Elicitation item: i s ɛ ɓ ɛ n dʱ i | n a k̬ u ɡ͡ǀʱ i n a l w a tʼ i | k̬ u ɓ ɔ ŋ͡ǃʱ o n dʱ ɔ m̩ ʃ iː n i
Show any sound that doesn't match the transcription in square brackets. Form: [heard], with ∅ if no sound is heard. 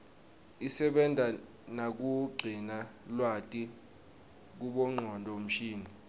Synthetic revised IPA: i s ɛ ɓ ɛ n dʱ [a] | n a k̬ u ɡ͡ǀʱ i n a l w a tʼ i | k̬ u ɓ ɔ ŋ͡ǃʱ [ɔ] n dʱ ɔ m̩ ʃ iː n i